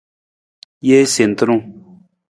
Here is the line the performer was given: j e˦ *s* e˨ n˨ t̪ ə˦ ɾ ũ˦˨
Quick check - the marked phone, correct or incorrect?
correct